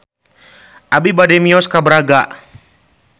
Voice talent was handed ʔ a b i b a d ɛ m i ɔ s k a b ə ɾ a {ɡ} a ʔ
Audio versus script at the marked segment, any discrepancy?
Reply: no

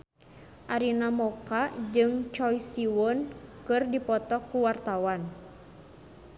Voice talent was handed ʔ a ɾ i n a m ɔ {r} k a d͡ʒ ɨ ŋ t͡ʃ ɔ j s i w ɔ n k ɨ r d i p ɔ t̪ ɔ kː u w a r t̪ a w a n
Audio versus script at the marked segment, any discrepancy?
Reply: yes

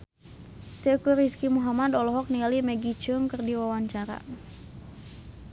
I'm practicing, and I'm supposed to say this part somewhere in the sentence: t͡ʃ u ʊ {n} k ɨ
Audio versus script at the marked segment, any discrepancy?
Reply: yes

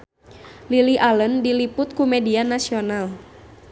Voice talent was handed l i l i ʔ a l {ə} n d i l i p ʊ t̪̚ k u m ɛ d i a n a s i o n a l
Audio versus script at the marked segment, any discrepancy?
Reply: no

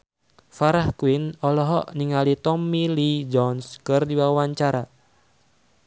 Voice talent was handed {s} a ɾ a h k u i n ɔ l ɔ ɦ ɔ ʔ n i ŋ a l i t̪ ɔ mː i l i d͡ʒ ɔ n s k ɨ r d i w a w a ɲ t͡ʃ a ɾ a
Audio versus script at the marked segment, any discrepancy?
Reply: yes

